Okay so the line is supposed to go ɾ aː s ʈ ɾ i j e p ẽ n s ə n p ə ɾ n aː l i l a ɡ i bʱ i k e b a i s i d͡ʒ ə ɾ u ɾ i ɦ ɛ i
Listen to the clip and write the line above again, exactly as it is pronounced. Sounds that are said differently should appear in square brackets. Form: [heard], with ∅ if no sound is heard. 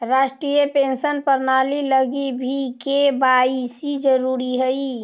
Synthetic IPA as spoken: ɾ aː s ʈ ɾ i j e p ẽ n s ə n p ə ɾ n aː l i l [ə] ɡ i bʱ i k e b a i s i d͡ʒ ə ɾ u ɾ i ɦ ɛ i